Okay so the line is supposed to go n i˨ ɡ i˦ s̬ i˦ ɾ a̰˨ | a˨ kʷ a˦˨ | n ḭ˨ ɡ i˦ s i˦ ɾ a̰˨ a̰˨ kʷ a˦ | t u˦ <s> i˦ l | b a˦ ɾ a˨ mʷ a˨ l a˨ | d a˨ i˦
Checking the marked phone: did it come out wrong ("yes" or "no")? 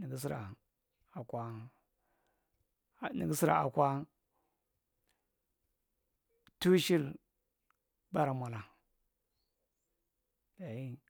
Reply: yes